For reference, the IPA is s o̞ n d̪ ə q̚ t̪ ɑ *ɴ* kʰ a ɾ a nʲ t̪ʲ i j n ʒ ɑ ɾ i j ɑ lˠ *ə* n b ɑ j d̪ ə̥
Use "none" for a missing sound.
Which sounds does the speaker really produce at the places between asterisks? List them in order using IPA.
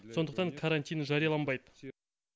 ŋ, ɑ

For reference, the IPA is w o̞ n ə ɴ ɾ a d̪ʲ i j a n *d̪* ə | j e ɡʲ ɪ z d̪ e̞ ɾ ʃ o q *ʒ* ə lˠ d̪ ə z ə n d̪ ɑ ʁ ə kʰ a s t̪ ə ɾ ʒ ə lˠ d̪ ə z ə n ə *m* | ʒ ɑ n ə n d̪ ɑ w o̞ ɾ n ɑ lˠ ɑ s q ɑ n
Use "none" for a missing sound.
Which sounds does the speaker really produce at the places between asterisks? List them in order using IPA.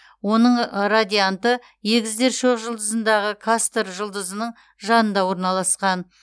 t̪, ʒ, ɴ

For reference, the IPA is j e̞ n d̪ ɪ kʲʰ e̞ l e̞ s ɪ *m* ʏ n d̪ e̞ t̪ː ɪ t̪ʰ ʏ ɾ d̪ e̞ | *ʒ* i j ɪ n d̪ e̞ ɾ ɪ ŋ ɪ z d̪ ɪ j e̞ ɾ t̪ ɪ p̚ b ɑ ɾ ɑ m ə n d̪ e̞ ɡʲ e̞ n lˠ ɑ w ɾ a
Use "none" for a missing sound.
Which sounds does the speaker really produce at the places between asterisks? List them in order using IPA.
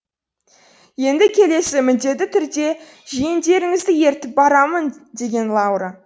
m, ʒ

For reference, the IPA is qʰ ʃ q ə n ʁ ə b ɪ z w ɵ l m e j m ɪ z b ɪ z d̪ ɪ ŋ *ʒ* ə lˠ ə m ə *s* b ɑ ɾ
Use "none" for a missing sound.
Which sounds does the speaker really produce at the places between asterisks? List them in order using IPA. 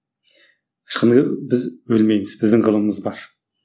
ʁ, z

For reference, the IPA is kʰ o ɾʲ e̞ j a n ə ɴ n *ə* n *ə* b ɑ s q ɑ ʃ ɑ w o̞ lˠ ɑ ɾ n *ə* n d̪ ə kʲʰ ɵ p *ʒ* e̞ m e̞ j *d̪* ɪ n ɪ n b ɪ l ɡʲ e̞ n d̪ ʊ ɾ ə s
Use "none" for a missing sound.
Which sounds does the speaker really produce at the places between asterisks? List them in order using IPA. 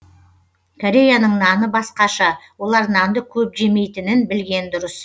ɑ, ə, ɑ, ʒ, t̪

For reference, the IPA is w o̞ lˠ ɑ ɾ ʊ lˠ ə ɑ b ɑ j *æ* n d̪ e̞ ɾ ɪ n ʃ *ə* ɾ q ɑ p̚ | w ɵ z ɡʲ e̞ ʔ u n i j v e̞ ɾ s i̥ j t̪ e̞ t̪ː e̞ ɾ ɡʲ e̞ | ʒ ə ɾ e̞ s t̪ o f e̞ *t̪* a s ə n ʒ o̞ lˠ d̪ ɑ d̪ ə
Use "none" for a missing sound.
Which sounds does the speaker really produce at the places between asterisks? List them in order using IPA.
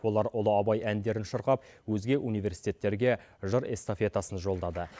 æ, ə, t̪

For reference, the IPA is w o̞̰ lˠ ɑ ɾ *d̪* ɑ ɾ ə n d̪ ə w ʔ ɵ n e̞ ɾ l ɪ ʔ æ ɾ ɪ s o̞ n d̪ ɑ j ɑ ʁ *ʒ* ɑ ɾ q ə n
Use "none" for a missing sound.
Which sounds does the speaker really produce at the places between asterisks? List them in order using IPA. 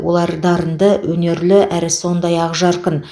d̪, ʒ

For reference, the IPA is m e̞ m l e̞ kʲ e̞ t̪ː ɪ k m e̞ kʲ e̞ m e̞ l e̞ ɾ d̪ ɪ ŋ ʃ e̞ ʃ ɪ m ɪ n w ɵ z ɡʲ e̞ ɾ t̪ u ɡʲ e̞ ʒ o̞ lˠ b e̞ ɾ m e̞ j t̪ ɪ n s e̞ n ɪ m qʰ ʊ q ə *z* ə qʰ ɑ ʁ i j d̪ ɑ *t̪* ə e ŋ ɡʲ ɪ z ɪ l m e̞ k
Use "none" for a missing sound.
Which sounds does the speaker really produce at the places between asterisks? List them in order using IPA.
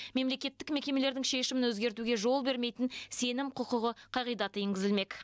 ʁ, t̪

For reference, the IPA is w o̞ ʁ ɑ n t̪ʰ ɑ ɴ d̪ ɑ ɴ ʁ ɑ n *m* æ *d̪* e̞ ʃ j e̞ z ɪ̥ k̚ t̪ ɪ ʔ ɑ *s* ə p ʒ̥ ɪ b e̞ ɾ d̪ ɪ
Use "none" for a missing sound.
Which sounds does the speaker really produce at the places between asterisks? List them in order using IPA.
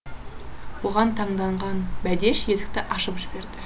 b, d̪, ʃ

